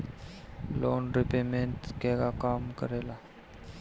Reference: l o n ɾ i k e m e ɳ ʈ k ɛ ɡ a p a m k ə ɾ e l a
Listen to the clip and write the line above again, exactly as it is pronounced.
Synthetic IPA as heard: l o n ɾ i p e m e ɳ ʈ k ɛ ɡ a k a m k ə ɾ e l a